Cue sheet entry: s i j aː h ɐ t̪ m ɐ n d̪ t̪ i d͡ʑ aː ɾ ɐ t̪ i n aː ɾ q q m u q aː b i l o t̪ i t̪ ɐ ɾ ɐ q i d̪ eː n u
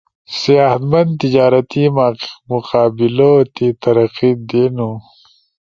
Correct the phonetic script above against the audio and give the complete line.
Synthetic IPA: s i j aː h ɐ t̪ m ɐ n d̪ t̪ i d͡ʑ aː ɾ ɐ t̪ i m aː q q m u q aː b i l o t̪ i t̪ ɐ ɾ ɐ q i d̪ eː n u